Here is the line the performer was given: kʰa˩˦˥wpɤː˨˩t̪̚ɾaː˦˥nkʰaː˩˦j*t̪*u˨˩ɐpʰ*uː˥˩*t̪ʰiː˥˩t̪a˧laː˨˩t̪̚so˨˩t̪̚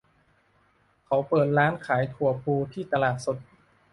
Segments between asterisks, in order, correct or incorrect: incorrect, incorrect

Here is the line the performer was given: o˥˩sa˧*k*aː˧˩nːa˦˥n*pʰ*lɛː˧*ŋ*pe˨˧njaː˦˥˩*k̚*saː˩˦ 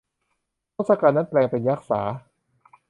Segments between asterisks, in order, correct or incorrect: correct, incorrect, correct, correct

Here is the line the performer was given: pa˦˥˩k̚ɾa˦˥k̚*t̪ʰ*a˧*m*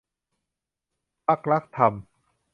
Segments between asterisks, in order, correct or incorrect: correct, correct

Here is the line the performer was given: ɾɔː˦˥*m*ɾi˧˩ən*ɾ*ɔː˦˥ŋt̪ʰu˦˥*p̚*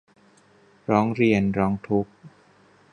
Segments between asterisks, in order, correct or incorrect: incorrect, correct, incorrect

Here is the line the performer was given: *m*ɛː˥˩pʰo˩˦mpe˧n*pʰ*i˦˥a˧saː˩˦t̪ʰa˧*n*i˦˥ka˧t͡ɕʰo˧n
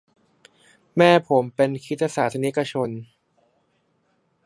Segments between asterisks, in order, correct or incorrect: correct, incorrect, correct

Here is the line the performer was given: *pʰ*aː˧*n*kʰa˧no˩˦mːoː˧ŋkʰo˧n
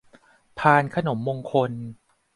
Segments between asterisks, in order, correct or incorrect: correct, correct

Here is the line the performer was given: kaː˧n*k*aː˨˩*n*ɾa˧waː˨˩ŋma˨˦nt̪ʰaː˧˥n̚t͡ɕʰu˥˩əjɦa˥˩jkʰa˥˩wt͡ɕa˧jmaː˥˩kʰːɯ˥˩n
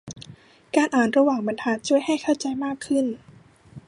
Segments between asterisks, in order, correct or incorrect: incorrect, correct

